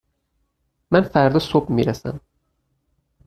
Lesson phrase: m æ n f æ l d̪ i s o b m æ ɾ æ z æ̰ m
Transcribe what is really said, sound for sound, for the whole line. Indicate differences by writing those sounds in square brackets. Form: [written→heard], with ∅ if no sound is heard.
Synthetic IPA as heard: m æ n f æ [l→ɾ] d̪ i s o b m [æ→i] ɾ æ [z→s] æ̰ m